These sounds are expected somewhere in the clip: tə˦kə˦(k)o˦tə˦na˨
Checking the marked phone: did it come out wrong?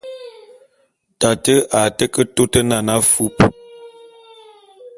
yes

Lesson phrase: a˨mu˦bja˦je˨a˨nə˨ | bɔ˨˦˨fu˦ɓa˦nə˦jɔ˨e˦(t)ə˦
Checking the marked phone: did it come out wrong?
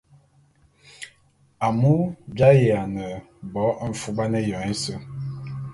yes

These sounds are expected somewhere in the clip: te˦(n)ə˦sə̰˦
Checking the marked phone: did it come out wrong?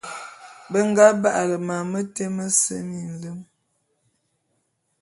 yes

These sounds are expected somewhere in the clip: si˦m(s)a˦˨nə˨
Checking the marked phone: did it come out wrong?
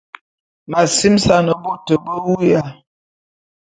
no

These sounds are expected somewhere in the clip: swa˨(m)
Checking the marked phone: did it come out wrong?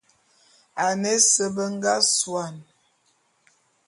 yes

